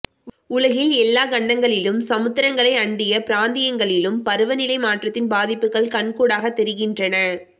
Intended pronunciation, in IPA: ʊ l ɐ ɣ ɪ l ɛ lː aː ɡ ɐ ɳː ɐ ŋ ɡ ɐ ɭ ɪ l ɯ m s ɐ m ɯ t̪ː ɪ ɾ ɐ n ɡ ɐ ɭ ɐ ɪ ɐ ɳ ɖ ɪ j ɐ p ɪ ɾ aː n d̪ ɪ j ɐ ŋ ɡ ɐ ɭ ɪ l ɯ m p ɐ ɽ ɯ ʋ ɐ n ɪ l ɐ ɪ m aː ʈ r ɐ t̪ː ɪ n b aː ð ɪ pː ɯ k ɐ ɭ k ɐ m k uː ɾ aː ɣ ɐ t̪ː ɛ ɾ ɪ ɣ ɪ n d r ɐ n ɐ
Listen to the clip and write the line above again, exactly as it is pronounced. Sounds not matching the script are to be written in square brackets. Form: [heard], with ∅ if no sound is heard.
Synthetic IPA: ʊ l ɐ ɣ ɪ l ɛ lː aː ɡ ɐ ɳː ɐ ŋ ɡ ɐ ɭ ɪ l ɯ m s ɐ m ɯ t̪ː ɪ ɾ ɐ [ŋ] ɡ ɐ ɭ ɐ ɪ ɐ ɳ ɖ ɪ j ɐ p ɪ ɾ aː n d̪ ɪ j ɐ ŋ ɡ ɐ ɭ ɪ l ɯ m p ɐ [ɾ] ɯ ʋ ɐ n ɪ l ɐ ɪ m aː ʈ r ɐ t̪ː ɪ n b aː ð ɪ pː ɯ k ɐ ɭ k ɐ [ɳ] k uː [ɽ] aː ɣ ɐ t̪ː ɛ ɾ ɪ ɣ ɪ n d r ɐ n ɐ